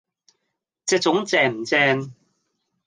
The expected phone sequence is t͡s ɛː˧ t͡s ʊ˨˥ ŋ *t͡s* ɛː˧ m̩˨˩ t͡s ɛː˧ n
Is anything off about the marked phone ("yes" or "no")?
no